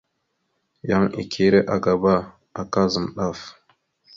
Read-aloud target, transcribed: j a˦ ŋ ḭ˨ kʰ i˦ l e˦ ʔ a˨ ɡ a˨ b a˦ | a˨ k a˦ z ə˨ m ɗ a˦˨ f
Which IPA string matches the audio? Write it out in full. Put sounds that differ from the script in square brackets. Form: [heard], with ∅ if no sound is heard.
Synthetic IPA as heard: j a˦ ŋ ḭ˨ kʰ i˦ [ɾ] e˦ ʔ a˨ ɡ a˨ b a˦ | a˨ k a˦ z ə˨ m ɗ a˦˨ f

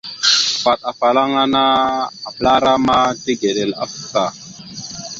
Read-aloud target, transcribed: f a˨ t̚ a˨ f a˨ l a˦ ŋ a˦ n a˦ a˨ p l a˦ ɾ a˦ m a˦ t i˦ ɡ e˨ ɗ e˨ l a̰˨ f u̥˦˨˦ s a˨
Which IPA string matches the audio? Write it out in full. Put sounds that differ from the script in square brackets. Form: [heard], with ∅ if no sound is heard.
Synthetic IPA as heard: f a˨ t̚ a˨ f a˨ l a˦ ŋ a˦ n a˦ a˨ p l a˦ ɾ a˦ m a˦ t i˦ ɡ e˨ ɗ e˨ l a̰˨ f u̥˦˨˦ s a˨

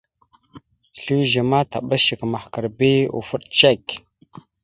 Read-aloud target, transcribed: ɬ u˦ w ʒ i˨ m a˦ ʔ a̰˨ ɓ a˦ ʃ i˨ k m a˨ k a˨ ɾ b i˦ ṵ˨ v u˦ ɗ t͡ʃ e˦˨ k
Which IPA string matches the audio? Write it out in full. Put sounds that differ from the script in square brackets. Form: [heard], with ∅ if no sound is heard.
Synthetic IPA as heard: ɬ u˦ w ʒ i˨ m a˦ [t] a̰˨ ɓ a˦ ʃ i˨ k m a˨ k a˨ ɾ b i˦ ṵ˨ [f] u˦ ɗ t͡ʃ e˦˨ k

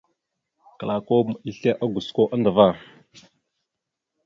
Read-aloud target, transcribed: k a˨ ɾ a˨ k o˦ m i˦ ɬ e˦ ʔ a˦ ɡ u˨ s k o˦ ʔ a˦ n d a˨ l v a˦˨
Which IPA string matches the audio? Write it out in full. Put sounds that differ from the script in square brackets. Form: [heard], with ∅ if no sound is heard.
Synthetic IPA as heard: k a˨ [l] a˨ k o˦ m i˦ ɬ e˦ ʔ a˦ ɡ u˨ s k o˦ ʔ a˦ n d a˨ [∅] v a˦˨

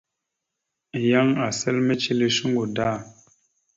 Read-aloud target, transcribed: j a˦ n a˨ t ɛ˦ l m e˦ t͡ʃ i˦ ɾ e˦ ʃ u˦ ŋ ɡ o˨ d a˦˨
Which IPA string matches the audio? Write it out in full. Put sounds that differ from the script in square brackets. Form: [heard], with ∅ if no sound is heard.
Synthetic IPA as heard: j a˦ [ŋ] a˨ [s] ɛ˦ l m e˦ t͡ʃ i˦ [l] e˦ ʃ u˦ ŋ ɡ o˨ d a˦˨

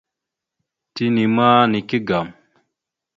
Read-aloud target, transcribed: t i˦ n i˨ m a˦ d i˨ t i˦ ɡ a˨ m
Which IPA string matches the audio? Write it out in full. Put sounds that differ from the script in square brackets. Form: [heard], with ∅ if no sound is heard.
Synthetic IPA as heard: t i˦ n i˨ m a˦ [n] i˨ [k] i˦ ɡ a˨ m

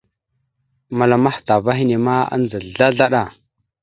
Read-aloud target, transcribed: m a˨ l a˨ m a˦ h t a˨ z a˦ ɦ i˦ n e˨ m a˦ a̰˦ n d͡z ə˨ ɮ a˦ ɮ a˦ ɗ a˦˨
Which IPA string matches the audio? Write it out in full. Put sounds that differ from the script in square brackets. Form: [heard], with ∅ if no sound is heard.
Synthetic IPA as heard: m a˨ l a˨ m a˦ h t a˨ [v] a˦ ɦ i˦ n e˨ m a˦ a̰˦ n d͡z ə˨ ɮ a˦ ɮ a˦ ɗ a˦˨

